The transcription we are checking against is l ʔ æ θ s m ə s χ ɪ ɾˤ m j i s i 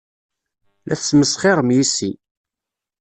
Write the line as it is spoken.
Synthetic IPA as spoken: l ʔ æ θ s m ə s χ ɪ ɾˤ m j i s i

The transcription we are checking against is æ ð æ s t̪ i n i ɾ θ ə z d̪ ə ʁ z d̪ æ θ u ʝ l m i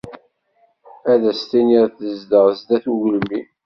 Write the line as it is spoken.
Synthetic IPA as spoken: æ ð æ s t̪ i n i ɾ θ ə z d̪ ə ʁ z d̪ æ θ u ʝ l m i

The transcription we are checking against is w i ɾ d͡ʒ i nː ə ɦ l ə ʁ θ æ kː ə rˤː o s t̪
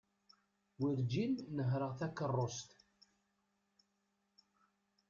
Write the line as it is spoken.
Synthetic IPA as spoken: w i ɾ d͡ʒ i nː ə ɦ ɾ ə ʁ θ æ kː ə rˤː o s t̪

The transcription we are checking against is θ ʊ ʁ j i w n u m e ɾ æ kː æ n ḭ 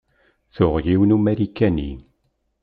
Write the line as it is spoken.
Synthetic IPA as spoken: θ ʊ ʁ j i w n u m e ɾ i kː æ n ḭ

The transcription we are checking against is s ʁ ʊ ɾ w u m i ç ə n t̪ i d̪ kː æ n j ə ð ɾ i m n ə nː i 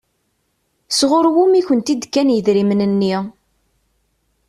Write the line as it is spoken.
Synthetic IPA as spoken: s ʁ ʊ ɾ w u m i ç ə n t̪ i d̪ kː æ n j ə ð ɾ i m n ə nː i

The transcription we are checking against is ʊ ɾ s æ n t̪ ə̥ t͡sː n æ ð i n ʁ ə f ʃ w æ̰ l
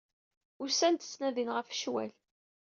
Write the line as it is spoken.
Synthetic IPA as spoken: ʊ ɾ s æ n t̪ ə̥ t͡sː n æ ð i n ʁ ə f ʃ w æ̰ l

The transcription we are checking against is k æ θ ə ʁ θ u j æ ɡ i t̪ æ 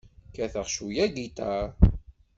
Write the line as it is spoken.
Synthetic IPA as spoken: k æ θ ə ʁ ʃ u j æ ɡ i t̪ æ

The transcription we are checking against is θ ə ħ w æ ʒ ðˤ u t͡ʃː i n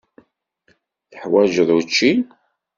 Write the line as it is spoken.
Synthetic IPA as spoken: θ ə ħ w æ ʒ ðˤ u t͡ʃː i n

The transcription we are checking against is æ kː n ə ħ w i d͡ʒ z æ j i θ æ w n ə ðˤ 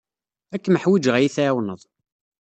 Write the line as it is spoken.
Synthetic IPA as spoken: æ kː m ə ħ w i d͡ʒ ʁ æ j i θ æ w n ə ðˤ

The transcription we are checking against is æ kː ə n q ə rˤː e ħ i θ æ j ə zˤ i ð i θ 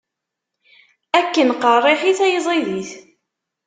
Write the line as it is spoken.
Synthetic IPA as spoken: æ kː ə n q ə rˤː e ħ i θ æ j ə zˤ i ð i θ

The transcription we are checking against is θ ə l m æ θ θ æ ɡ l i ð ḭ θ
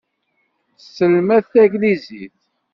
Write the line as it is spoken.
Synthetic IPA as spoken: s ə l m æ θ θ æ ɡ l i z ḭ θ

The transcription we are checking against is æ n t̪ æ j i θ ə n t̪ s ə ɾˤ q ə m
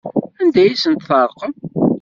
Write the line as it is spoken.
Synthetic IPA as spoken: æ n d̪ æ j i s ə n t̪ θ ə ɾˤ q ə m

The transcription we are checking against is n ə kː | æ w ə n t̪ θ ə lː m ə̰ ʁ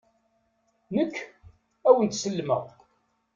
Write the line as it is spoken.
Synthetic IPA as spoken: n ə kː | æ w ə n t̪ s ə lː m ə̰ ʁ

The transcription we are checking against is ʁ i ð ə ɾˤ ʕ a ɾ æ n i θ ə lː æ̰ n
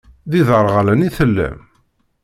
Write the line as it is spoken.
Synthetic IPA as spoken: ð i ð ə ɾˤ ʁ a l æ n i θ ə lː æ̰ m

